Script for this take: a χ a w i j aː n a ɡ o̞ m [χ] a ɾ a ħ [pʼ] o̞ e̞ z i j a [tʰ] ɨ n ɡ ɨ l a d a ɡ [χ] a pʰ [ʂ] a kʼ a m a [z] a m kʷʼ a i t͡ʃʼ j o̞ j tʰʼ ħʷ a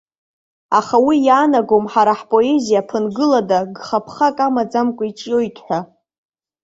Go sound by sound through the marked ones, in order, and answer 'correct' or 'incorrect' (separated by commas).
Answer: incorrect, correct, incorrect, correct, incorrect, incorrect